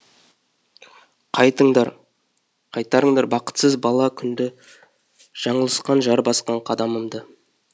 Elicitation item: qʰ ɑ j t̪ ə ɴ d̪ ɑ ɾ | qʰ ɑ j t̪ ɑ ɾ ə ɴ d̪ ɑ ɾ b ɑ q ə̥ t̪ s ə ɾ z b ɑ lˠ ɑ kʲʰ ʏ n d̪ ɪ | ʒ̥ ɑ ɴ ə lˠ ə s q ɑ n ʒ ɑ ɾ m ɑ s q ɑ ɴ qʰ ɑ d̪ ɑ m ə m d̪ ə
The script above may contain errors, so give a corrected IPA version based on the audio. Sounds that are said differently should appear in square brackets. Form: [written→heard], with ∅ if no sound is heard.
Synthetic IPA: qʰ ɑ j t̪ ə ɴ d̪ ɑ ɾ | qʰ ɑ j t̪ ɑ ɾ ə ɴ d̪ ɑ ɾ b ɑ q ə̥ t̪ s ə [ɾ→∅] z b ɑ lˠ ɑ kʲʰ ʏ n d̪ ɪ | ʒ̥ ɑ ɴ ə lˠ ə s q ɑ n ʒ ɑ ɾ [m→b] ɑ s q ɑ ɴ qʰ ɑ d̪ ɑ m ə m d̪ ə